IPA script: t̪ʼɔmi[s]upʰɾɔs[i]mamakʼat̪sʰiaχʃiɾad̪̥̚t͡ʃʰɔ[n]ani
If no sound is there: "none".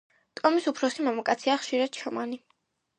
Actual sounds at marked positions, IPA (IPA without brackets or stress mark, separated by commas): s, i, m